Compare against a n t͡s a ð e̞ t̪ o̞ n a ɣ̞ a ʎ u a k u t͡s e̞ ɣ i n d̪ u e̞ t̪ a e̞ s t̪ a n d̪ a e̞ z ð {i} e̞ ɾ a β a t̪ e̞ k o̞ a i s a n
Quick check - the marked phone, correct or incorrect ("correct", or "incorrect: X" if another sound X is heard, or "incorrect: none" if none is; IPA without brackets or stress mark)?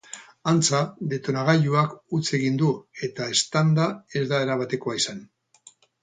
incorrect: a